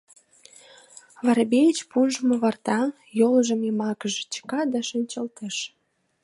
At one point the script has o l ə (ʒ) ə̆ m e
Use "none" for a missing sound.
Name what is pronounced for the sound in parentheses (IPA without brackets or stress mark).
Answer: ʒ